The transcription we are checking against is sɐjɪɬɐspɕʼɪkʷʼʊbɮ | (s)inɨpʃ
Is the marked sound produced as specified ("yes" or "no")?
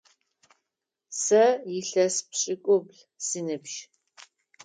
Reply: yes